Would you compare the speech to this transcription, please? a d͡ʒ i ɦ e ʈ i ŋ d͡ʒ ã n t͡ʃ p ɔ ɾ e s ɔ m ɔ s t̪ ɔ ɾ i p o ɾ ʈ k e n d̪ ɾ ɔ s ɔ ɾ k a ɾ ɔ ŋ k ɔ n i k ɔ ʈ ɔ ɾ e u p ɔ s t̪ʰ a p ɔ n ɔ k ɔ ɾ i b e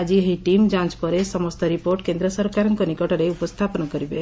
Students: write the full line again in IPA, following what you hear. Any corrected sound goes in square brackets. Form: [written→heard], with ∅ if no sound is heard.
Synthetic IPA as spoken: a d͡ʒ i ɦ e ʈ i [ŋ→m] d͡ʒ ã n t͡ʃ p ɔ ɾ e s ɔ m ɔ s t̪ ɔ ɾ i p o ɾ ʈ k e n d̪ ɾ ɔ s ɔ ɾ k a ɾ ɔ ŋ k ɔ n i k ɔ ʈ ɔ ɾ e u p ɔ s t̪ʰ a p ɔ n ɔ k ɔ ɾ i b e